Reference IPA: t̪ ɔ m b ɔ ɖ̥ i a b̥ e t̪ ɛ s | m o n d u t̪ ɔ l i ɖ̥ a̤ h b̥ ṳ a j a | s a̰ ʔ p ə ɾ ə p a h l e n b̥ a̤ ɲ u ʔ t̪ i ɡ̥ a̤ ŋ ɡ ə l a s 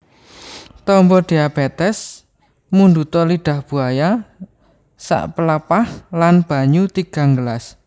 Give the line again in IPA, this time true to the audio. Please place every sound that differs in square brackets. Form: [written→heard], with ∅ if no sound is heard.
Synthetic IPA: t̪ ɔ m b ɔ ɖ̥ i a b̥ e t̪ ɛ s | m [o→u] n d u t̪ ɔ l i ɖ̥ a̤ h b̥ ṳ a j a | s a̰ ʔ p ə [ɾ→l] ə p a h l [e→a] n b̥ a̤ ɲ u [ʔ→∅] t̪ i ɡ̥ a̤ ŋ ɡ ə l a s